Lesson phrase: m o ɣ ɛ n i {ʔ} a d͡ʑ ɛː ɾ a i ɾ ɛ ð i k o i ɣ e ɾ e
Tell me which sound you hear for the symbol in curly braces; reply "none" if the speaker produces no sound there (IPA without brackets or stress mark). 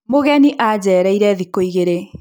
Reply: ʔ